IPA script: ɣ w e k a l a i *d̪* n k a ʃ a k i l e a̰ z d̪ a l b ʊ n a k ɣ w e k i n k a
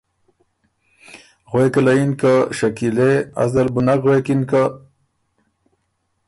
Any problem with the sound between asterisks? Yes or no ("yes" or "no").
yes